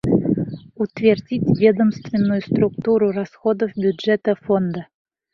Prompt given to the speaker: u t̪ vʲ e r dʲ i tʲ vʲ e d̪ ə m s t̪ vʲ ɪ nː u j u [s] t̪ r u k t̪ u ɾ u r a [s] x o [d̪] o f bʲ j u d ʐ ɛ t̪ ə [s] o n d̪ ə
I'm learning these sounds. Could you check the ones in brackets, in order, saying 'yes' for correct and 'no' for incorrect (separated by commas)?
yes, yes, yes, no